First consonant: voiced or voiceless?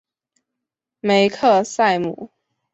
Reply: voiced